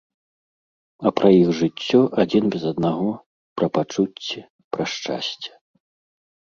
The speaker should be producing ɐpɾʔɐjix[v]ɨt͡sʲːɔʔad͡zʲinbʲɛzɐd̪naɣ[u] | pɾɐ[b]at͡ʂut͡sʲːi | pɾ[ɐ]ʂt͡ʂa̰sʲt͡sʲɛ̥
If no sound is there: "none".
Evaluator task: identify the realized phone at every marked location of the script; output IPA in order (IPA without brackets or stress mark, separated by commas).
ʐ, ɔ, p, ɐ